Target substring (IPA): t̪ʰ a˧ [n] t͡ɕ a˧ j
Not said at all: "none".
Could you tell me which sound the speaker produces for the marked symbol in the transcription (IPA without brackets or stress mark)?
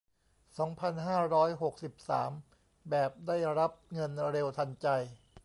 n